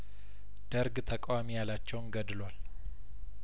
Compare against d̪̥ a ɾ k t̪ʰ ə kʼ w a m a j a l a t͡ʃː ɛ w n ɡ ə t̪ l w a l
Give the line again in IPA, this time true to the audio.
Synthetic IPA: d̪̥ ə ɾ ɡ t̪ʰ ə kʼ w a m i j a l a t͡ʃː ɛ w n ɡ ə d̪ l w a l